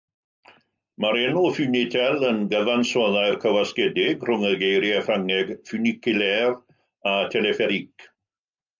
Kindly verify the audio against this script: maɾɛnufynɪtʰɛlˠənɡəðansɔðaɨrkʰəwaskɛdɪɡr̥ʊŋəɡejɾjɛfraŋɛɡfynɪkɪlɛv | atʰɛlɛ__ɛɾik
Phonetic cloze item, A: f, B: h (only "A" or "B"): A